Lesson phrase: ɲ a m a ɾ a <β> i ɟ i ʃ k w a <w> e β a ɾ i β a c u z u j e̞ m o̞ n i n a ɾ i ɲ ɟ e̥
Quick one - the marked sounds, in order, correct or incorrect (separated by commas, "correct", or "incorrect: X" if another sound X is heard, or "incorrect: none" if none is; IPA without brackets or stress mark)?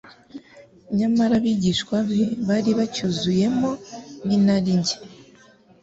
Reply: correct, incorrect: β